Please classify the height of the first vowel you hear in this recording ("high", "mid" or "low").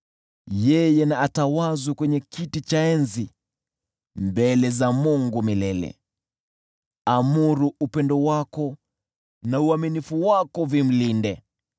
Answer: mid